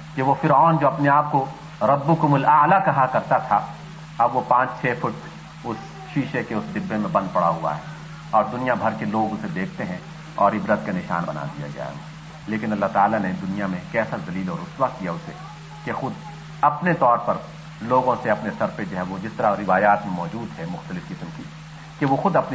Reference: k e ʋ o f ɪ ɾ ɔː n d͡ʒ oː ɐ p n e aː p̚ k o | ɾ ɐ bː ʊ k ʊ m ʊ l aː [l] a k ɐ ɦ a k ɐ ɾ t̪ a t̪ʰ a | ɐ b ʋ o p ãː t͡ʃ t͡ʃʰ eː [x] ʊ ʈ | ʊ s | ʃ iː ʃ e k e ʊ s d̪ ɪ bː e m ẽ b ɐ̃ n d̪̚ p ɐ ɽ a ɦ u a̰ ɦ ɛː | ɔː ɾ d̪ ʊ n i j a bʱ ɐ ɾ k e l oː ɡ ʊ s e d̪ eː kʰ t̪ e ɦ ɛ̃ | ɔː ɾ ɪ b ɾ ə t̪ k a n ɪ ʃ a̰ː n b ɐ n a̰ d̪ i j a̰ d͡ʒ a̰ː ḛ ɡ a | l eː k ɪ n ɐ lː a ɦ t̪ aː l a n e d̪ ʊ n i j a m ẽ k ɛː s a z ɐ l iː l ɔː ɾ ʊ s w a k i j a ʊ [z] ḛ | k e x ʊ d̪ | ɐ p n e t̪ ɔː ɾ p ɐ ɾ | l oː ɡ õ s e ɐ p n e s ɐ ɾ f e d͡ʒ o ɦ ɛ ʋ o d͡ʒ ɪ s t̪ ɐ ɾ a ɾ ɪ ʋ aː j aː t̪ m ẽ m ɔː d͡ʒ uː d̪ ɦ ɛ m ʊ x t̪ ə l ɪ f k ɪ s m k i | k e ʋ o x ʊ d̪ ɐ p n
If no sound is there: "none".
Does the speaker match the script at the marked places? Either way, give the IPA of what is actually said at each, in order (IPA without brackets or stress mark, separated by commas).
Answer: l, f, s